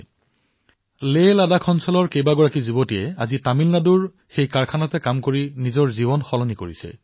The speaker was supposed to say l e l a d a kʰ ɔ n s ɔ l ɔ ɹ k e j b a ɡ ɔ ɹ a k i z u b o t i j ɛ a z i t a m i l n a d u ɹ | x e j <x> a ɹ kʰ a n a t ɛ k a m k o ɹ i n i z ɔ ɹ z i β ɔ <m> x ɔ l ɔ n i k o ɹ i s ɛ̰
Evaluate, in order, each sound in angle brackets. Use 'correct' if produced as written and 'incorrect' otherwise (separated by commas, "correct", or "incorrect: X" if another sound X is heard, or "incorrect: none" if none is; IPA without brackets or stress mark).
incorrect: k, incorrect: n